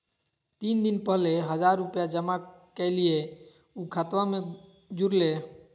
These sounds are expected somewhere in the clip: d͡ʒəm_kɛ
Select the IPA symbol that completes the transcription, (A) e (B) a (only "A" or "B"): B